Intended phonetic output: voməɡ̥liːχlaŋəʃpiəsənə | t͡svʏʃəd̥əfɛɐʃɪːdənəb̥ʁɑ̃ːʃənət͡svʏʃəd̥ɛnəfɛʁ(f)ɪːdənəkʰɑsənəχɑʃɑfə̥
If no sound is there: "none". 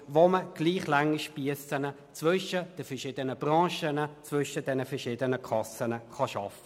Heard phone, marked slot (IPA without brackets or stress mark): ʃ